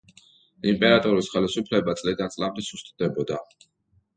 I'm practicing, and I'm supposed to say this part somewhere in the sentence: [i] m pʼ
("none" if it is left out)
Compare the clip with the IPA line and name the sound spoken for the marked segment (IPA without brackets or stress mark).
i